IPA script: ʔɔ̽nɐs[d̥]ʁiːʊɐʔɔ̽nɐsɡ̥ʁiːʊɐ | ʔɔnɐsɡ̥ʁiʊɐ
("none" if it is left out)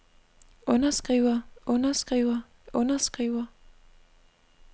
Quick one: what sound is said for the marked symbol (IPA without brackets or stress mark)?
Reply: ɡ̥